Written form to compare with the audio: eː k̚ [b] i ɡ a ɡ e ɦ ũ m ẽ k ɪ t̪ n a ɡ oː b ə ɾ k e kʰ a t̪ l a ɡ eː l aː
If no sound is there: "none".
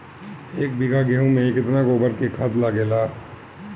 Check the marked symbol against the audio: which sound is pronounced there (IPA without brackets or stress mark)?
b